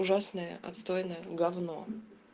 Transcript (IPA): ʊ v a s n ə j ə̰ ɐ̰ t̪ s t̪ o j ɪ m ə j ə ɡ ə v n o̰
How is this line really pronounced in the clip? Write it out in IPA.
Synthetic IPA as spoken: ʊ ʐ a s n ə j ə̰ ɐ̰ t̪ s t̪ o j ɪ n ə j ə ɡ ɐ v n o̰